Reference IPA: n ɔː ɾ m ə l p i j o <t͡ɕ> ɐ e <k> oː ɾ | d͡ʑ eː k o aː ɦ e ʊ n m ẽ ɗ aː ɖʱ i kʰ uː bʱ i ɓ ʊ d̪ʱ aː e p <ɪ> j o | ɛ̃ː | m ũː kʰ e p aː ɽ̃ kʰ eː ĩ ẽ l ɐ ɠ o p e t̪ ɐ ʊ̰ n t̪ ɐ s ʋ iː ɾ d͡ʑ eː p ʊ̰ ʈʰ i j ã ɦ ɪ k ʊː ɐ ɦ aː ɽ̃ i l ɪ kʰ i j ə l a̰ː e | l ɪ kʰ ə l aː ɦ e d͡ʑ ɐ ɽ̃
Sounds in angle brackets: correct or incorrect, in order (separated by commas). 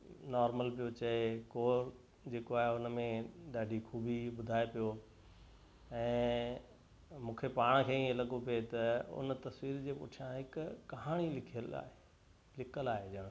correct, correct, incorrect